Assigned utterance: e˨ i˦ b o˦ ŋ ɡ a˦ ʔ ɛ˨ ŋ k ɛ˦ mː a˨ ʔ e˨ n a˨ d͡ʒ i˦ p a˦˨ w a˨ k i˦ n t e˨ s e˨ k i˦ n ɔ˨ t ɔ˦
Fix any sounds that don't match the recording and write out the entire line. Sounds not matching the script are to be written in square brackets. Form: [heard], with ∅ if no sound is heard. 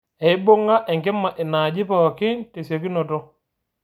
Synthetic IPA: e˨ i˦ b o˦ ŋ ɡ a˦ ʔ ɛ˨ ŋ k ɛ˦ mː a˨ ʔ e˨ n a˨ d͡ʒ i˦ p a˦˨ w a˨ k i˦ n t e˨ s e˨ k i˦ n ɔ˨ t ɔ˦